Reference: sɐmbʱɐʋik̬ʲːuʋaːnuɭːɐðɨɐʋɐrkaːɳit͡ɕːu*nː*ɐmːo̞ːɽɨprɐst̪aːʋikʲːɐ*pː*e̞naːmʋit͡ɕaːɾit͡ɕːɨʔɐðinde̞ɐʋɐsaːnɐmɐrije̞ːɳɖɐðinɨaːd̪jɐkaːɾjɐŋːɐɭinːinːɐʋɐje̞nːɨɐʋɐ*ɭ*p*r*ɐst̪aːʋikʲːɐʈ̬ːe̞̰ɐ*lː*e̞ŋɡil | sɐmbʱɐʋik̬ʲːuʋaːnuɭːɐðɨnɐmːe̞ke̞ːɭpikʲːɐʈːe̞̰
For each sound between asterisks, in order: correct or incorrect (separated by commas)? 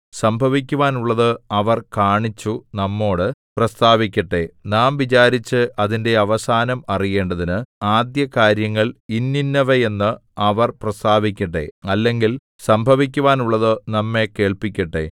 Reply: incorrect, incorrect, incorrect, correct, correct